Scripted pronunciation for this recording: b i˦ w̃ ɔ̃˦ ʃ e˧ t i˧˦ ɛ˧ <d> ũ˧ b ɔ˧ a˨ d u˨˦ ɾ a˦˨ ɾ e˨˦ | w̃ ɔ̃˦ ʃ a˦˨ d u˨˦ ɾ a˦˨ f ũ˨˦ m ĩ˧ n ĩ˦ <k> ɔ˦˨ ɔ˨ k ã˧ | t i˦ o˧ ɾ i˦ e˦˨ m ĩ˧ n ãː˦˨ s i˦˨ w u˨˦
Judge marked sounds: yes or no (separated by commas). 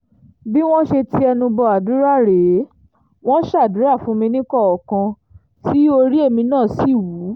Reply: no, yes